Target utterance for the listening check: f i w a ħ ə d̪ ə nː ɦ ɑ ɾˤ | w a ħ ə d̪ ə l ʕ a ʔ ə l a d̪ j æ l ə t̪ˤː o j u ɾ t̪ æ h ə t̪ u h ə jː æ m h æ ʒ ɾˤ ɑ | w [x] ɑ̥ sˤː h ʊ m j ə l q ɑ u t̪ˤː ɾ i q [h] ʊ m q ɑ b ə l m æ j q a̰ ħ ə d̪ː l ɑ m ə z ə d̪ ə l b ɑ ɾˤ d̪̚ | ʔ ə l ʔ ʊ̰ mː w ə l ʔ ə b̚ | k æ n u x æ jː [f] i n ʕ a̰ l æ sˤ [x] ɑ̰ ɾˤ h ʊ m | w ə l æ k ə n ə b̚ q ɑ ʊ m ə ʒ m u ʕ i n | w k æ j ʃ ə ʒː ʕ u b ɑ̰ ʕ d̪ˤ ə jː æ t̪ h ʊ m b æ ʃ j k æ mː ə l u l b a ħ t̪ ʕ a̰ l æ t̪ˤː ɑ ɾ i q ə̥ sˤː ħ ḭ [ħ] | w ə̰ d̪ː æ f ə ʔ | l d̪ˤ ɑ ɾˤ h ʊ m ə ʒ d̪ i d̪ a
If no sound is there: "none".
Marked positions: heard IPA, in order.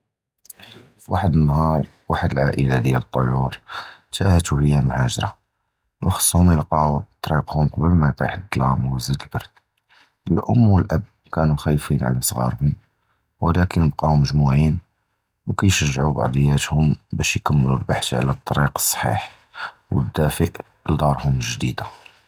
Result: x, h, f, ɣ, ħ

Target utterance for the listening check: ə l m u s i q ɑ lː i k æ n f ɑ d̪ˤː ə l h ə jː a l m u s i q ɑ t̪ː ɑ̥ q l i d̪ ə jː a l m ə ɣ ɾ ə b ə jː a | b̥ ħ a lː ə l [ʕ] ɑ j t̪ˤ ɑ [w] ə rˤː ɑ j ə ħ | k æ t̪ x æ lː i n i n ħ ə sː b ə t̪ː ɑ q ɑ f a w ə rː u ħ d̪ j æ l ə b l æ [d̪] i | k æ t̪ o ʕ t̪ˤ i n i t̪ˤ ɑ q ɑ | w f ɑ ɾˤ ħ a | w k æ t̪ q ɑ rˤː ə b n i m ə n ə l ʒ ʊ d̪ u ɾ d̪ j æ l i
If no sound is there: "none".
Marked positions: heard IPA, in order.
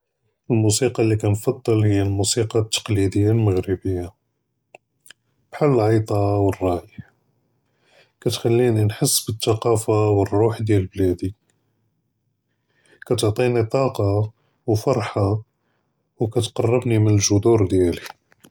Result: ʕ, w, d̪

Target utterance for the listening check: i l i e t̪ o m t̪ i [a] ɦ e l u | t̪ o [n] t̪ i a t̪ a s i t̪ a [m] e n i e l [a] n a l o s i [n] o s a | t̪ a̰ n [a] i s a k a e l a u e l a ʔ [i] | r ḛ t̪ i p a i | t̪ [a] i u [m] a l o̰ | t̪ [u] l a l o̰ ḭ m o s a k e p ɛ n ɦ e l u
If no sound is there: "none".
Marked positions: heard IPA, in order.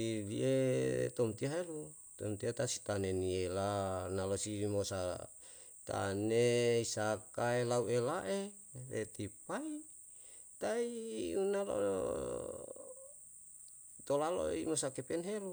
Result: a, m, n, a, m, e, e, a, n, o

